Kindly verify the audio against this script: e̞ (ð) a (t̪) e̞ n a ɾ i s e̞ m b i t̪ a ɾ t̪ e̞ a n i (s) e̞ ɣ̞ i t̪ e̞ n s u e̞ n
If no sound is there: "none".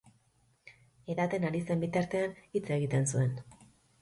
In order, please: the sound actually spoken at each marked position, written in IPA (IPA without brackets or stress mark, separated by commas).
ð, t̪, t͡s